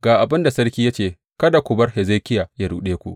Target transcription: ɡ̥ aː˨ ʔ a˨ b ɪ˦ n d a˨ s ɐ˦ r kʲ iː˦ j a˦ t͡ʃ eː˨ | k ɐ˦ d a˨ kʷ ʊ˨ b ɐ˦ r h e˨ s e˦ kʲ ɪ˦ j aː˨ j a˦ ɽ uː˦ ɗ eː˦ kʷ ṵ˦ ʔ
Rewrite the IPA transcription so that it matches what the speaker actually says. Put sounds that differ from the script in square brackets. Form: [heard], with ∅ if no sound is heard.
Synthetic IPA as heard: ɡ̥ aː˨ ʔ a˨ b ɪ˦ n d a˨ s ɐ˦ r kʲ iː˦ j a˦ t͡ʃ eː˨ | k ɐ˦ d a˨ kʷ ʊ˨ b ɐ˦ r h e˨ [z] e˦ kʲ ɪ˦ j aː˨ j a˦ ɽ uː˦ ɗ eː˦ kʷ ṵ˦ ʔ